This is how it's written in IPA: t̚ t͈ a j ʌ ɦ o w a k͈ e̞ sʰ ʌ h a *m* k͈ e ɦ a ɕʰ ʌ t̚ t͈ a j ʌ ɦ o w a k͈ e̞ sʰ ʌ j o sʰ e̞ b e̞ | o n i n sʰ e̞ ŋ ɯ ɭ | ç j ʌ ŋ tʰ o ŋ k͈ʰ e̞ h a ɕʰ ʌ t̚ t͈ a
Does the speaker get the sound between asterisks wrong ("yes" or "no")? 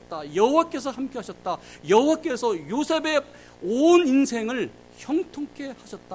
no